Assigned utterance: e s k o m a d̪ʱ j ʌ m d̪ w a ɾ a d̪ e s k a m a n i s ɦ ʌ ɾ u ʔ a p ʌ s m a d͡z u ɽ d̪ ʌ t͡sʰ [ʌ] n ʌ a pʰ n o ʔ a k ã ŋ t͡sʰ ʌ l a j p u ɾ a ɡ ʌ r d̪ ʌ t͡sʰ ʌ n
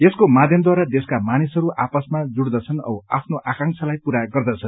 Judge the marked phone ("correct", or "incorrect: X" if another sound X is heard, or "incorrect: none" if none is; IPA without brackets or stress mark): correct